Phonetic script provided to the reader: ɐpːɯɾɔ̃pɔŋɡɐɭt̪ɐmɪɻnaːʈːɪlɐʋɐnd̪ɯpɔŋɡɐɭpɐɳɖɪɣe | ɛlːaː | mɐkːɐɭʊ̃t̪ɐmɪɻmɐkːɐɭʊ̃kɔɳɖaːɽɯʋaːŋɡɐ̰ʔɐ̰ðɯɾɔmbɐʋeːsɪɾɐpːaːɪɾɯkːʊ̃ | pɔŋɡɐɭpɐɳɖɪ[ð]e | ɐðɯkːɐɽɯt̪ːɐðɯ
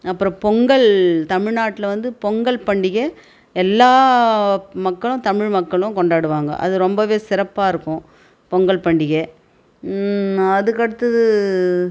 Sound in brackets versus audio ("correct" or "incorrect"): incorrect